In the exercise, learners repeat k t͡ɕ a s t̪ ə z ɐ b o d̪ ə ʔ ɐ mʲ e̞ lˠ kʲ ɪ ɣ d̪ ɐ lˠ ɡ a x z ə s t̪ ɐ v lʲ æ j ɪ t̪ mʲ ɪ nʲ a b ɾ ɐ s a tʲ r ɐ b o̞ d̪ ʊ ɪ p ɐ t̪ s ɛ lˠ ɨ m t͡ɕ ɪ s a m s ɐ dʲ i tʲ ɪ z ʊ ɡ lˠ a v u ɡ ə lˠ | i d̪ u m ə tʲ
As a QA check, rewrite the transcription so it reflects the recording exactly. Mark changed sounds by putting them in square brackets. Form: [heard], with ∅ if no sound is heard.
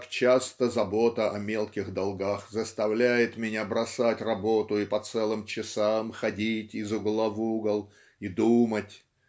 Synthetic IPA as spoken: k t͡ɕ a s t̪ ə z ɐ b o [t̪] ə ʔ ɐ mʲ e̞ lˠ kʲ ɪ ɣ d̪ ɐ lˠ ɡ a x z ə s t̪ ɐ v lʲ æ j ɪ t̪ mʲ ɪ nʲ a b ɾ ɐ s a tʲ r ɐ b o̞ [t̪] ʊ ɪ p ɐ t̪ s ɛ lˠ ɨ m t͡ɕ ɪ s a m [x] ɐ dʲ i tʲ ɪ z ʊ ɡ lˠ a v u ɡ ə lˠ | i d̪ u m ə tʲ